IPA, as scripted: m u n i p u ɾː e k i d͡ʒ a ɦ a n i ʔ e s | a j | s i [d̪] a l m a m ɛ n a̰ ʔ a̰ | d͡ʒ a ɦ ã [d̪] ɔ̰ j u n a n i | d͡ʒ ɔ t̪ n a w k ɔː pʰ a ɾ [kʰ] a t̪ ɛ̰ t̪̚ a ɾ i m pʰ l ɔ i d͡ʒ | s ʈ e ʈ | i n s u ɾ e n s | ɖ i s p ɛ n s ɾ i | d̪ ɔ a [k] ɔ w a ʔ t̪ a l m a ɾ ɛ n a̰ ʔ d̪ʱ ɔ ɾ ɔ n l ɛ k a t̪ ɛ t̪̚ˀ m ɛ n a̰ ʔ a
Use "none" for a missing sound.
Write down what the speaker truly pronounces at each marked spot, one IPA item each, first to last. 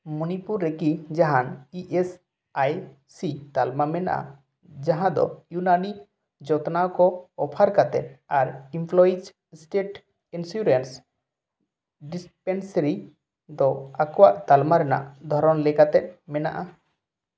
t̪, d̪, k, k

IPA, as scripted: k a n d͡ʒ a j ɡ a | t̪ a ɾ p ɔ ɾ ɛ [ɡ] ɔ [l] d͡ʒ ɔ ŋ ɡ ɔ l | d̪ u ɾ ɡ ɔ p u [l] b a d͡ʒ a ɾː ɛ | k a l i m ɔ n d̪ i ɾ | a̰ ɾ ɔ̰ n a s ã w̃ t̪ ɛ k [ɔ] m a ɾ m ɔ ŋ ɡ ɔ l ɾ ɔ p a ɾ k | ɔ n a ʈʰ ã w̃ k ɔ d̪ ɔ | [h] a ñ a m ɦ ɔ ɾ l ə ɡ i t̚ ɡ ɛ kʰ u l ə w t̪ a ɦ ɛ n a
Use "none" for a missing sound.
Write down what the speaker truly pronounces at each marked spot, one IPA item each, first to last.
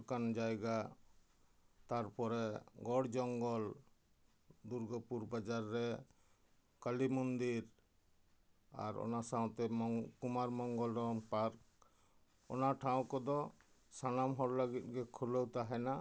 ɡ, ɽ, ɾ, u, s

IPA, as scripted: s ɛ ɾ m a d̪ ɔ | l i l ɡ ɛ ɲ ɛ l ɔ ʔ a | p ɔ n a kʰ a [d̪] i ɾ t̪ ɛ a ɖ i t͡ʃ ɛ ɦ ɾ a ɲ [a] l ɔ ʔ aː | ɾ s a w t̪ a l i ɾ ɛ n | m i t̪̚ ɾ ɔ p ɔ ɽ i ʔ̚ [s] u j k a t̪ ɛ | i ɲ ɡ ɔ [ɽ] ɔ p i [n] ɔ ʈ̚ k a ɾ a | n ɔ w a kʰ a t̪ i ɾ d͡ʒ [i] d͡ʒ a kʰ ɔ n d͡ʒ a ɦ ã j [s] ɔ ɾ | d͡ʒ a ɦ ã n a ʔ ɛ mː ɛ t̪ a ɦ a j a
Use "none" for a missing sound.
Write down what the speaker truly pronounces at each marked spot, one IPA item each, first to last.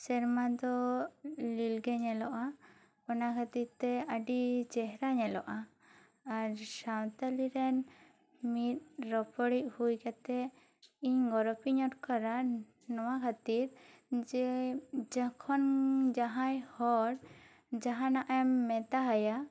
t̪, ɛ, h, ɾ, ɲ, ɛ, h

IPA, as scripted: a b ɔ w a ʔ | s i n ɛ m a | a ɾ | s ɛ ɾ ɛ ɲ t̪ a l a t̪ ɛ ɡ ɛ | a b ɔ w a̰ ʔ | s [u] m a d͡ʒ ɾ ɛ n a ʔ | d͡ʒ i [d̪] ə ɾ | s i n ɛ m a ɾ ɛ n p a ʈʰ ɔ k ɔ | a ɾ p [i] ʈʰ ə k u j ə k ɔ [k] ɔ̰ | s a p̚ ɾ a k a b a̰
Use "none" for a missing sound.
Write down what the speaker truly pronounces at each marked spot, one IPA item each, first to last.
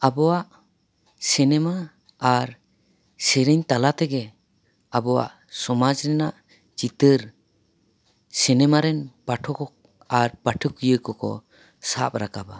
ɔ, t̪, a, k

